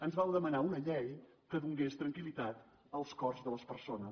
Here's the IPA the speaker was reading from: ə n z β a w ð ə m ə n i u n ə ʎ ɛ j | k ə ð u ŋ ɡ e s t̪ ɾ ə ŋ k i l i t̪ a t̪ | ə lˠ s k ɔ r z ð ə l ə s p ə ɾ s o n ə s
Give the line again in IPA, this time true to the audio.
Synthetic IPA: ə n z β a w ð ə m ə n a u n ə ʎ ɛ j | k ə ð u ŋ ɡ e s t̪ ɾ ə ŋ k i l i t̪ a t̪ | ə lˠ s k ɔ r z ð ə l ə s p ə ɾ s o n ə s